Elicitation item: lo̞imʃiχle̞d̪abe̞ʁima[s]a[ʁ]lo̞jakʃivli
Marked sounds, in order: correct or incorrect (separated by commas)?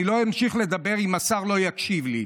correct, correct